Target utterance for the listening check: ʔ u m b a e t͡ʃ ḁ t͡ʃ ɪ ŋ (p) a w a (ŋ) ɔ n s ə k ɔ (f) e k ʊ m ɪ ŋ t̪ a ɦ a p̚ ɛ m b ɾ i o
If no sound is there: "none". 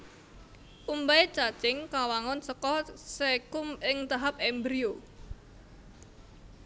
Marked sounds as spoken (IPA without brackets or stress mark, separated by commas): k, ŋ, s